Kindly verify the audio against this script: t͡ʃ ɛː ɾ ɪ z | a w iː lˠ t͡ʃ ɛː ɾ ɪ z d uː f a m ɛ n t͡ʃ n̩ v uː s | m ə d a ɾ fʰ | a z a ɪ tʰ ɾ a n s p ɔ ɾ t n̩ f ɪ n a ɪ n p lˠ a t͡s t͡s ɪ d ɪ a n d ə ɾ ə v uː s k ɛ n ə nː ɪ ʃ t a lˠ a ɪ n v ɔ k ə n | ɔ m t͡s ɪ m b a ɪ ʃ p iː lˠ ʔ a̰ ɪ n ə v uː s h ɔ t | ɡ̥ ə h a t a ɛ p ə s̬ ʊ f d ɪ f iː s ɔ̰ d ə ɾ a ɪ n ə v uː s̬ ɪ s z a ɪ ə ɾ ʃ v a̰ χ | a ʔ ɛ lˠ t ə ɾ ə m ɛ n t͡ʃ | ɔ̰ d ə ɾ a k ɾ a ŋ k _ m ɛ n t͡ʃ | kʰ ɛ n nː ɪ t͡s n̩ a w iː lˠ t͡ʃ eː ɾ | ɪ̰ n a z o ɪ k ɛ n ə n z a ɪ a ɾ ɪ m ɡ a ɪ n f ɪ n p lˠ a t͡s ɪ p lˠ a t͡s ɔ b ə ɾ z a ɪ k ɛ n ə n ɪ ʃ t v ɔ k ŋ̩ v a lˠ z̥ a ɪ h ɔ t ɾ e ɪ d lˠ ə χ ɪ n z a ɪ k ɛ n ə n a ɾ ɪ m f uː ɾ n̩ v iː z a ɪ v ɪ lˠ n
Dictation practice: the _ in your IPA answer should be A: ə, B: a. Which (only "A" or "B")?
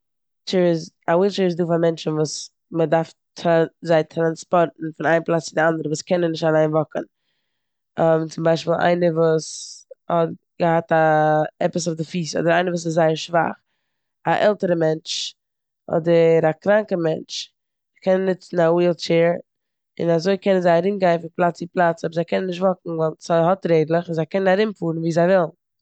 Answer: A